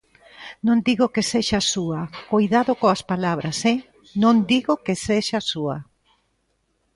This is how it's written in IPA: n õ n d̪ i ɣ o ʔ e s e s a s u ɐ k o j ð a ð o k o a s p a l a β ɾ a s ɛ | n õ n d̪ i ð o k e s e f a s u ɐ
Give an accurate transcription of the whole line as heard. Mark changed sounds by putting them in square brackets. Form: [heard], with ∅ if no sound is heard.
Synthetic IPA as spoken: n õ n d̪ i ɣ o [k] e s e [ʃ] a s u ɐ k o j ð a ð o k o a s p a l a β ɾ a s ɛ | n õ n d̪ i [ɣ] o k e s e [ʃ] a s u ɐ